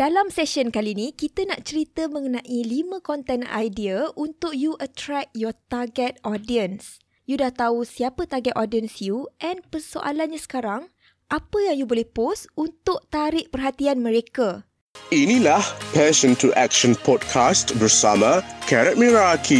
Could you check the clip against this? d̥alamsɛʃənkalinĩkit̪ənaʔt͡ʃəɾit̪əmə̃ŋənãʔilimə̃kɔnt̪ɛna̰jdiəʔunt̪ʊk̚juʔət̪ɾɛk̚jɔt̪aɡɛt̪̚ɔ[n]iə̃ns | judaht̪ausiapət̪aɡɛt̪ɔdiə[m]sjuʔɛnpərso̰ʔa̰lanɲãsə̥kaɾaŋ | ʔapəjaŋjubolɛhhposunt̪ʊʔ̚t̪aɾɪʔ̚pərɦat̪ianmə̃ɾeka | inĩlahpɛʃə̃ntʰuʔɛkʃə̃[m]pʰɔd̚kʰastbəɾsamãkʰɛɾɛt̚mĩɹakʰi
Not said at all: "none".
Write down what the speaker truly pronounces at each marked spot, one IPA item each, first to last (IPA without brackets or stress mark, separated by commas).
d, n, n